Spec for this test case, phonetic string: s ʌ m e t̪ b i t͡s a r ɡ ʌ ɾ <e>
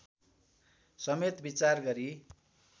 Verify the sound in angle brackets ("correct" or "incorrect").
incorrect